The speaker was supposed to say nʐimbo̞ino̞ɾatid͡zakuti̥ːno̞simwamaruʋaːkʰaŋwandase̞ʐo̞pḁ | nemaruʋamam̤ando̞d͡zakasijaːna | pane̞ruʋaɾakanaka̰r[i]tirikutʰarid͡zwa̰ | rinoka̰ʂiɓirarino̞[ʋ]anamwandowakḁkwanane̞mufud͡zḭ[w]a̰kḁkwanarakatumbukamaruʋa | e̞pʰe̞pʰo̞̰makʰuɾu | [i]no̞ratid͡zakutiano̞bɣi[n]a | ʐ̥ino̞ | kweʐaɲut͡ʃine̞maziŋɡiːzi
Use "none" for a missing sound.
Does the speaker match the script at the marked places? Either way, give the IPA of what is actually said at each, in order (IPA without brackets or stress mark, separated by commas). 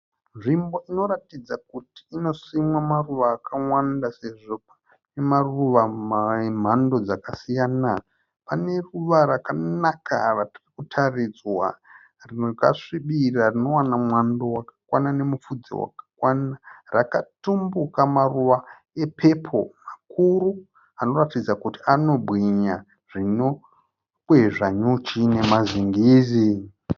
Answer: a, w, w, a, ɲ